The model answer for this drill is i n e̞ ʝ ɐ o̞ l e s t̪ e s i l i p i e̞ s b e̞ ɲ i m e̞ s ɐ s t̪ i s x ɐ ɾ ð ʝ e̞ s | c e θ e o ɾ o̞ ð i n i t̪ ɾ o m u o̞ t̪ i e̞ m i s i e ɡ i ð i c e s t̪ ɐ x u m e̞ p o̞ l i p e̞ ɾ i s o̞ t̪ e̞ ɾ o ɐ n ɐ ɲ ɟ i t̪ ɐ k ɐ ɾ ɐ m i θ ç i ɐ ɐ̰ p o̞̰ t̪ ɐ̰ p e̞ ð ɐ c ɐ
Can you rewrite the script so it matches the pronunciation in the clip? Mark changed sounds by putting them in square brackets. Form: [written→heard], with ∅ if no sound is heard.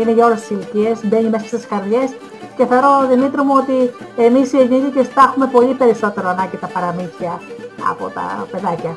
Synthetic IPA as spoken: i n e̞ ʝ ɐ o̞ l e s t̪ [e→i] s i l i [p→c] i e̞ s b e̞ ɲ i m e̞ s ɐ s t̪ i s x ɐ ɾ ð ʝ e̞ s | c e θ e o ɾ o̞ ð i [n→m] i t̪ ɾ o m u o̞ t̪ i e̞ m i s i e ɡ i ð i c e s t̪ ɐ x u m e̞ p o̞ l i p e̞ ɾ i s o̞ t̪ e̞ ɾ o ɐ n ɐ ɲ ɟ i t̪ ɐ [k→p] ɐ ɾ ɐ m i θ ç i ɐ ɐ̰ p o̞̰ t̪ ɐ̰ p e̞ ð ɐ c ɐ